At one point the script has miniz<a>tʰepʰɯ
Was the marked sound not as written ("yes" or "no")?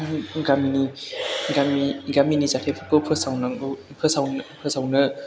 no